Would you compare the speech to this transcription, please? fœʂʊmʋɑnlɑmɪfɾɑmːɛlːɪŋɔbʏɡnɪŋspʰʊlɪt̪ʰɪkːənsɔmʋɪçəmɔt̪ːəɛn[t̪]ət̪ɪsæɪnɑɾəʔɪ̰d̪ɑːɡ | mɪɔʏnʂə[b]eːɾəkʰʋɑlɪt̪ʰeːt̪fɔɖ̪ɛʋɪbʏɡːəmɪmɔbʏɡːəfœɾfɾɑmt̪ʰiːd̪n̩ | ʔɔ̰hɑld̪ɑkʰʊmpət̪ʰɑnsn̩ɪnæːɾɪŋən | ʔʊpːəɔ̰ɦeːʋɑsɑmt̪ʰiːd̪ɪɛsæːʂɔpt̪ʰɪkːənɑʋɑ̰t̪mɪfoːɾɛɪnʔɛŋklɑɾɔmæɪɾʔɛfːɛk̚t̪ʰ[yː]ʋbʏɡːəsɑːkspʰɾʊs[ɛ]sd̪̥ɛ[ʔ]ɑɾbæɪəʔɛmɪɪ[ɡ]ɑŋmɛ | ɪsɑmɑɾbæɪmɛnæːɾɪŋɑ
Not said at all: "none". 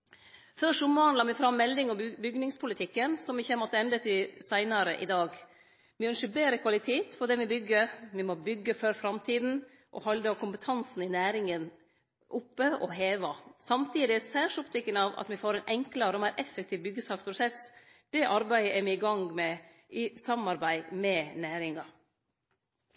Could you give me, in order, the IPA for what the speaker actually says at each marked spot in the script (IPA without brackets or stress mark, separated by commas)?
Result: d̪, b, iː, ɛ, ʔ, ɡ